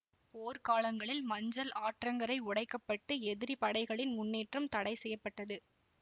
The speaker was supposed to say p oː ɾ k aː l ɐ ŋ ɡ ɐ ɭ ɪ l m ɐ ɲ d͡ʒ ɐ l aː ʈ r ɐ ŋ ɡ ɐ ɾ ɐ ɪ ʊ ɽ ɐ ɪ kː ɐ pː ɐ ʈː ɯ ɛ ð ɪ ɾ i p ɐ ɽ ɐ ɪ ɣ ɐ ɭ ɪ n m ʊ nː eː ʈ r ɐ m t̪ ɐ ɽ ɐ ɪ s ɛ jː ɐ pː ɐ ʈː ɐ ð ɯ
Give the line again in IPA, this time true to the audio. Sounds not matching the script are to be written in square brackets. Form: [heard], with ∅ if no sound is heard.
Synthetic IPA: p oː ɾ k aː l ɐ ŋ ɡ ɐ ɭ ɪ l m ɐ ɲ d͡ʒ ɐ l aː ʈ r ɐ ŋ ɡ ɐ ɾ ɐ ɪ ʊ ɽ ɐ ɪ kː ɐ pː ɐ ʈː ɯ ɛ ð ɪ ɾ i p ɐ ɽ ɐ ɪ ɣ ɐ ɭ ɪ n m ʊ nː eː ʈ r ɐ m t̪ ɐ ɽ ɐ ɪ s ɛ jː ɐ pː ɐ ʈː ɐ ð ɯ